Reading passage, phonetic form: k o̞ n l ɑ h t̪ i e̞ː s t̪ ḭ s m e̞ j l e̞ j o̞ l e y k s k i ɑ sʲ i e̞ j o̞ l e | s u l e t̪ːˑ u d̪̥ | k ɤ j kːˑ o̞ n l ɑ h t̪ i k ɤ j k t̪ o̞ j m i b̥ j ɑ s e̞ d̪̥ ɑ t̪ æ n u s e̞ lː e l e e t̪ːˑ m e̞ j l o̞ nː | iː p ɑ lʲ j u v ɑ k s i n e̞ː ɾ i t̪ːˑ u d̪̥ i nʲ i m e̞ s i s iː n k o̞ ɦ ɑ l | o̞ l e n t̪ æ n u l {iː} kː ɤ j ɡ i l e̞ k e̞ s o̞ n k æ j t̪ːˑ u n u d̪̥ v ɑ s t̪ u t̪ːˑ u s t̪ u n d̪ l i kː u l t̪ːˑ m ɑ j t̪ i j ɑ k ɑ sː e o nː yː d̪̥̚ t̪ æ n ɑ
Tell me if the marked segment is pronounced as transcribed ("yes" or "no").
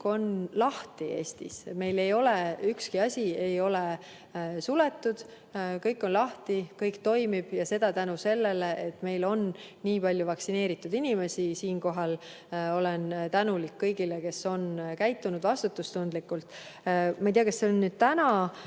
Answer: no